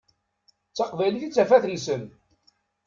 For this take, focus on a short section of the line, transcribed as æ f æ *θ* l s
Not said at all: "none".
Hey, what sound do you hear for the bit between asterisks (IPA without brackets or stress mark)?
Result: θ